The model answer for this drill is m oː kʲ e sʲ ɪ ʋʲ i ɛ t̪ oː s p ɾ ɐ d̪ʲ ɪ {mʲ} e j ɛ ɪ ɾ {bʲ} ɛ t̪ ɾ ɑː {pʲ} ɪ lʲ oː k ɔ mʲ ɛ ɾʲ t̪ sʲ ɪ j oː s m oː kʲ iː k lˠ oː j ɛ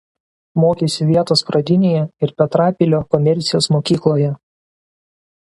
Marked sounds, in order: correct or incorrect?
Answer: incorrect: nʲ, incorrect: pʲ, correct

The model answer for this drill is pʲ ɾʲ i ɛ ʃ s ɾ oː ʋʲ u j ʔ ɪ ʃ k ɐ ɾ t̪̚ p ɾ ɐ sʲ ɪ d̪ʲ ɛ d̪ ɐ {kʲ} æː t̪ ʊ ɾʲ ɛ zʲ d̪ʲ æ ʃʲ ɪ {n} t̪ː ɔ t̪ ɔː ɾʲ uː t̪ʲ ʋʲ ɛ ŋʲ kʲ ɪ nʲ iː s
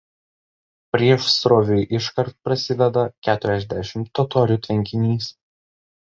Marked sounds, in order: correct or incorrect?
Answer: correct, incorrect: m

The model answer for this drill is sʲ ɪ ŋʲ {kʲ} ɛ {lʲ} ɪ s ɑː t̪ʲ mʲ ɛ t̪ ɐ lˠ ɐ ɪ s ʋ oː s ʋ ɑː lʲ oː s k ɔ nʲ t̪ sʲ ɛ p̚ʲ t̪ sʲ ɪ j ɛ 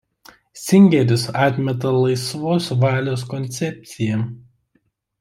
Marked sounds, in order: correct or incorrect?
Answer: incorrect: ɡʲ, incorrect: ɾʲ

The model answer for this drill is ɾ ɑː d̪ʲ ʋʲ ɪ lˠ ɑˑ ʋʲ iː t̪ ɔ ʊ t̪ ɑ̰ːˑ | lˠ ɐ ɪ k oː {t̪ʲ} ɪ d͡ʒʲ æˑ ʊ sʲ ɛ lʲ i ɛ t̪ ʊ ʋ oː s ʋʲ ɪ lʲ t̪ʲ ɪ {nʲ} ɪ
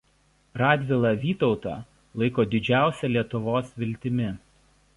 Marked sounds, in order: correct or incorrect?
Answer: incorrect: d̪ʲ, incorrect: mʲ

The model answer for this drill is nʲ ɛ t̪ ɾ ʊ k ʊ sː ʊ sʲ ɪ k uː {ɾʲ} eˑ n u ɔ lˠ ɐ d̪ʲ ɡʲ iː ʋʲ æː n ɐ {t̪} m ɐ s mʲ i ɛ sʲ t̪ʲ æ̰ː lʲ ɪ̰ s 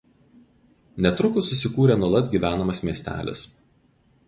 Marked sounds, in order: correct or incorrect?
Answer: correct, incorrect: none

